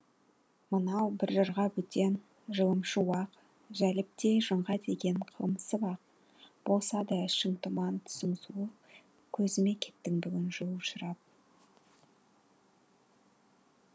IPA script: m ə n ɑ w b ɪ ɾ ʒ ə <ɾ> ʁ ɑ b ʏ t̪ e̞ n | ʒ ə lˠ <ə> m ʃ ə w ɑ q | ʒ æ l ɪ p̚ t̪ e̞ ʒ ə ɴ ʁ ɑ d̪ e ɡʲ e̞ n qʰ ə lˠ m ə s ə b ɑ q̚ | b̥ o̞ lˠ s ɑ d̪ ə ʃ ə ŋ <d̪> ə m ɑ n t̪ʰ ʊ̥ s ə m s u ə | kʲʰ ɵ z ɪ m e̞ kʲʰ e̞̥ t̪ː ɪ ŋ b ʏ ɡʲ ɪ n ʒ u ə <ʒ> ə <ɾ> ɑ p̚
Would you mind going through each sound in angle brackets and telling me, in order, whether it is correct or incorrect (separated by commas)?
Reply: correct, correct, incorrect, incorrect, correct